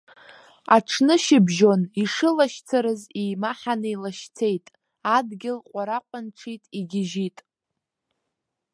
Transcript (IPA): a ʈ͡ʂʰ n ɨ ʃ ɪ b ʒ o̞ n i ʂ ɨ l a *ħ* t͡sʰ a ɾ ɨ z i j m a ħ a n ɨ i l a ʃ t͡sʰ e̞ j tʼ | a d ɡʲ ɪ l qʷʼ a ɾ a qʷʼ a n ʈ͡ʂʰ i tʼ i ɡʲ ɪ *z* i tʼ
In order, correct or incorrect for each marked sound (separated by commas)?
incorrect, incorrect